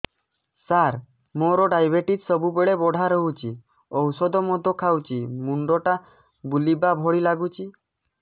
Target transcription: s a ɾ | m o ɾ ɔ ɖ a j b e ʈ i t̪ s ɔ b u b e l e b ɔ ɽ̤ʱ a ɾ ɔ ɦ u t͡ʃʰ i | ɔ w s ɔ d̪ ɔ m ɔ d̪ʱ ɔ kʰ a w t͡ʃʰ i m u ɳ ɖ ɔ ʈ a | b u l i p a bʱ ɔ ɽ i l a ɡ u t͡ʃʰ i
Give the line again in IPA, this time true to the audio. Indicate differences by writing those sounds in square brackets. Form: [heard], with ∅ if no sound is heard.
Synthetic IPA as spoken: s a ɾ | m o ɾ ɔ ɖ a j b e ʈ i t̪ s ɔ b u b e [ɭ] e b ɔ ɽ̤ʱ a ɾ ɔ ɦ u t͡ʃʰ i | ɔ w s ɔ d̪ ɔ m ɔ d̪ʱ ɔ kʰ a w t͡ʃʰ i m u ɳ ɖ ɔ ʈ a | b u l i [b] a bʱ ɔ ɽ i l a ɡ u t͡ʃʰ i